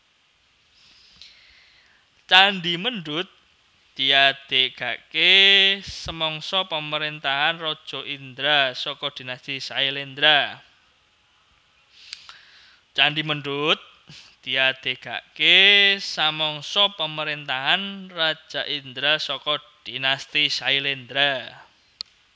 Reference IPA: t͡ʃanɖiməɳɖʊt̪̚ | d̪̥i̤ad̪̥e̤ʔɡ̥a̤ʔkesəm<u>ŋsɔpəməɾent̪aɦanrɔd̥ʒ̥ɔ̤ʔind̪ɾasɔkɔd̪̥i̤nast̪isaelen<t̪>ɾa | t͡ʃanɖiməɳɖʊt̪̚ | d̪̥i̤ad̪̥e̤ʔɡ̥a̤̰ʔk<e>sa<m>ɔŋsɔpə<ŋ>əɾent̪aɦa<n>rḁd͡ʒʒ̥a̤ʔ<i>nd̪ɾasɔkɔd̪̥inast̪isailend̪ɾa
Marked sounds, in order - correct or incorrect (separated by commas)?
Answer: incorrect, incorrect, correct, correct, incorrect, correct, correct